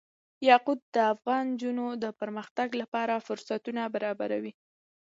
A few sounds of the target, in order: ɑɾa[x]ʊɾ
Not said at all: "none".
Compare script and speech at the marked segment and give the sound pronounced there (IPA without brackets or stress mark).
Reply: f